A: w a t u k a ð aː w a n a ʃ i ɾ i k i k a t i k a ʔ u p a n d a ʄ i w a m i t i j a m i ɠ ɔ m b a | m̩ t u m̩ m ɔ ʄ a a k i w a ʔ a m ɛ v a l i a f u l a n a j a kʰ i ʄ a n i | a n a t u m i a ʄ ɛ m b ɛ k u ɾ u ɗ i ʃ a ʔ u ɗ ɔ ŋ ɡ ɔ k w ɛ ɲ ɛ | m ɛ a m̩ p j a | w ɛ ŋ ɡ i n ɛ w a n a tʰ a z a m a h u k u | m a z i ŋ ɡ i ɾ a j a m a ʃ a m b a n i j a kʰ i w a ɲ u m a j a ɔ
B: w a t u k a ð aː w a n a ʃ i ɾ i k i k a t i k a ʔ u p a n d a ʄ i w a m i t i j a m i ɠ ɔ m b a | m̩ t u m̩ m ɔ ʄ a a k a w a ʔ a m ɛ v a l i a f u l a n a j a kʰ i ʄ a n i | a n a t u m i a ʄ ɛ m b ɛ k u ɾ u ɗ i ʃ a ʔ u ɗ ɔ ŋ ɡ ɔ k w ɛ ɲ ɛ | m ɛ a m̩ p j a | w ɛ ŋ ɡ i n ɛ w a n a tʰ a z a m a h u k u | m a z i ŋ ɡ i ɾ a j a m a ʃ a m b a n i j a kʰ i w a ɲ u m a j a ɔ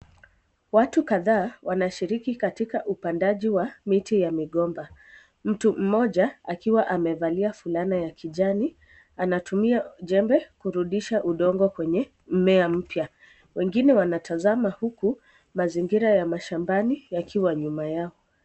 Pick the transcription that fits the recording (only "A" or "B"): A